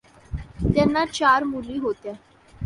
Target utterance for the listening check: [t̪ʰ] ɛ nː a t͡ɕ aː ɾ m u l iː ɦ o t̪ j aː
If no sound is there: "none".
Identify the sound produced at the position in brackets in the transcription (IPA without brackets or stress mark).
t̪